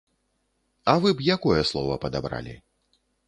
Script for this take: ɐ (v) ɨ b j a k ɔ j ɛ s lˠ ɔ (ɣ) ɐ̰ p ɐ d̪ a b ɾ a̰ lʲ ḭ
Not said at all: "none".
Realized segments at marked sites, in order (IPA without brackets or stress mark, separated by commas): v, v